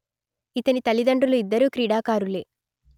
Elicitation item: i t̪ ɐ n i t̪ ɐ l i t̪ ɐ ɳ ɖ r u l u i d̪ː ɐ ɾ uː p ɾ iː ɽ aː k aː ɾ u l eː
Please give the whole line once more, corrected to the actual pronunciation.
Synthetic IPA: i t̪ ɐ n i t̪ ɐ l i d̪ ɐ ɳ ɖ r u l u i d̪ː ɐ ɾ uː k ɾ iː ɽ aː k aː ɾ u l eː

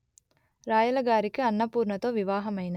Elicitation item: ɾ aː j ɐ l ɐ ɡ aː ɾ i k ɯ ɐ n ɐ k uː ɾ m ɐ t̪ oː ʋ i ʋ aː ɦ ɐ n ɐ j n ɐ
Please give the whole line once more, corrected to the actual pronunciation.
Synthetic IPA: ɾ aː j ɐ l ɐ ɡ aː ɾ i k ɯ ɐ nː ɐ p uː ɾ ɳ ɐ t̪ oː ʋ i ʋ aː ɦ ɐ m ɐ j n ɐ

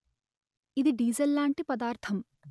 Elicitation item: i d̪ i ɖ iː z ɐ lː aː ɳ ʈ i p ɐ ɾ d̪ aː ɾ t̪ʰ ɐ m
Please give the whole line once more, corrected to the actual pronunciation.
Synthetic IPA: i d̪ i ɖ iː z ɐ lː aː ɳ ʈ i p ɐ d̪ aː ɾ t̪ʰ ɐ m

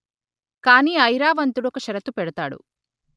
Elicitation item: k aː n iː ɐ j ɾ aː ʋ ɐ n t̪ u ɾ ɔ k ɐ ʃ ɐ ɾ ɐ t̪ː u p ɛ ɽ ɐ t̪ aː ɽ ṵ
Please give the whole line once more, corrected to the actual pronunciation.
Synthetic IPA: k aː n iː ɐ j ɾ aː ʋ ɐ n t̪ u ɽ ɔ k ɐ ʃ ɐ ɾ ɐ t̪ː u p ɛ ɽ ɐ t̪ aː ɽ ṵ

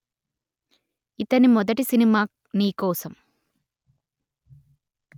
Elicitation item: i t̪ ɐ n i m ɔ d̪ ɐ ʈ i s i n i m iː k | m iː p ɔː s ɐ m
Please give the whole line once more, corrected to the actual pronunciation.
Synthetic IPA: i t̪ ɐ n i m ɔ d̪ ɐ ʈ i s i n i m aː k | n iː k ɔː s ɐ m

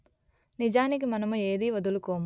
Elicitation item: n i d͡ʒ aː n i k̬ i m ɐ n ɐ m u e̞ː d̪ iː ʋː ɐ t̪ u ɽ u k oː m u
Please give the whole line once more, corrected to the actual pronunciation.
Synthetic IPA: n i d͡ʒ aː n i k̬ i m ɐ n ɐ m u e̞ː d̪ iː ʋ ɐ d̪ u l u k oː m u

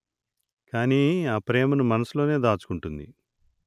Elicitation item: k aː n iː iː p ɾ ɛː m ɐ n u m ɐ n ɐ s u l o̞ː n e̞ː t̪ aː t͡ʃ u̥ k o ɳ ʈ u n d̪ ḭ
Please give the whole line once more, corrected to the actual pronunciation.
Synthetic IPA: k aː n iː aː p ɾ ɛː m ɐ n u m ɐ n ɐ s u l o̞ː n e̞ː d̪ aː t͡ʃ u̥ k u ɳ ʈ u n d̪ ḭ

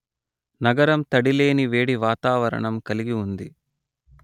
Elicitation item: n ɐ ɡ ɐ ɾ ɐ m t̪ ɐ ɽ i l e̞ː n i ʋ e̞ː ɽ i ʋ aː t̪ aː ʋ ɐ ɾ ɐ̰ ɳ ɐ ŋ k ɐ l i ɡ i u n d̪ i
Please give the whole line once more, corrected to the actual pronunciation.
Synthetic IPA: n ɐ ɡ ɐ ɾ ɐ m t̪ ɐ ɽ i l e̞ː n i ʋ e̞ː ɽ i ʋ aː t̪ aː ʋ ɐ ɾ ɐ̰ ɳ ɐ m k ɐ l i ɡ i u n d̪ i

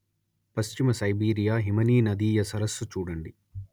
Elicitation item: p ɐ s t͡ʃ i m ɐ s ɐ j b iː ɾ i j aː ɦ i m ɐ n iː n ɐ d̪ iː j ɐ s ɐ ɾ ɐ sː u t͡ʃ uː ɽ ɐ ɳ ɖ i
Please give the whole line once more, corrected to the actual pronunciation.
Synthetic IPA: p ɐ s t͡ʃ i m ɐ s ɐ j b iː ɾ i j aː ɦ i m ɐ n iː n ɐ d̪ iː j ɐ s ɐ ɾ ɐ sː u t͡ʃ uː ɽ ɐ ɳ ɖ i

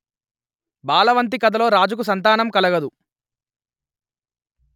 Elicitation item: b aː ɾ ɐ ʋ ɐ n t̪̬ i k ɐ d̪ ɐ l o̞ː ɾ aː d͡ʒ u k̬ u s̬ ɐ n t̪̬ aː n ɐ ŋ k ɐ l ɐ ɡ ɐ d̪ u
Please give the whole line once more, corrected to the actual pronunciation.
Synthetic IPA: b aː l ɐ ʋ ɐ n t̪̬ i k ɐ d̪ ɐ l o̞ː ɾ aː d͡ʒ u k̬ u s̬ ɐ n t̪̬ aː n ɐ m k ɐ l ɐ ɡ ɐ d̪ u

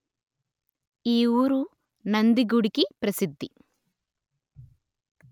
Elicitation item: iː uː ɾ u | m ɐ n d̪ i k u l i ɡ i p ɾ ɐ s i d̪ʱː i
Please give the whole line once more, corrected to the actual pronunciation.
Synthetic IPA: iː uː ɾ u | n ɐ n d̪ i ɡ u ɽ i k i p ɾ ɐ s i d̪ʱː i

